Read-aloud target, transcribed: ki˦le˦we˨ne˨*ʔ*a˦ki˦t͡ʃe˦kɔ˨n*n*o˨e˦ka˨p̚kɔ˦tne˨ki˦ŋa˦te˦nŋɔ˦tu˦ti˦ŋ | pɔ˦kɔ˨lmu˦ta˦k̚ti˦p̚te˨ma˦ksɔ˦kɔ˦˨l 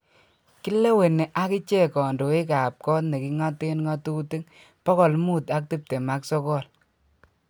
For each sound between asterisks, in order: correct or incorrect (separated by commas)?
correct, incorrect